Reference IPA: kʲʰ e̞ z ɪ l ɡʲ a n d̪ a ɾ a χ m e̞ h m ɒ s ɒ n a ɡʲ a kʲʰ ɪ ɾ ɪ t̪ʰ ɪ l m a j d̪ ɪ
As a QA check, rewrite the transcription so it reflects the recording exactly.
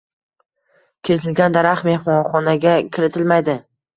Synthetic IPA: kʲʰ e̞ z ɪ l ɡʲ a n d̪ a ɾ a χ m e̞ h m ɒ χ ɒ n a ɡʲ a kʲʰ ɪ ɾ ɪ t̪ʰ ɪ l m a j d̪ ɪ